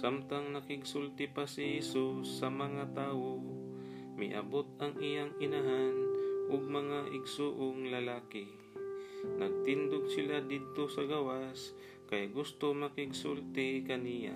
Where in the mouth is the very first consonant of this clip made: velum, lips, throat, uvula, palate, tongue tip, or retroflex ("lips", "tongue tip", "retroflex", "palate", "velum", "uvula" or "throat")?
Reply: tongue tip